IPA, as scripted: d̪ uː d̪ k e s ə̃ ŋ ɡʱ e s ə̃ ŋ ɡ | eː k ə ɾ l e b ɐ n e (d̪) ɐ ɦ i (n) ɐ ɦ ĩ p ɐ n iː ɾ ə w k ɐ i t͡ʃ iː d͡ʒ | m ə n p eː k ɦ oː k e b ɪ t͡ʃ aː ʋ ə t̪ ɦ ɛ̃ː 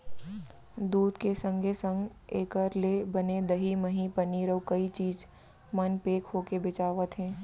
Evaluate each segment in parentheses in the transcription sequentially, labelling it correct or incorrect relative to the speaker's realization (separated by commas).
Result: correct, incorrect